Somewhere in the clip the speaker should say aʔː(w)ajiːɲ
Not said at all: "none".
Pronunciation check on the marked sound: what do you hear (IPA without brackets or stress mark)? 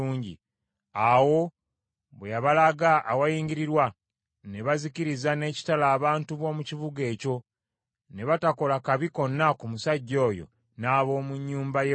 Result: w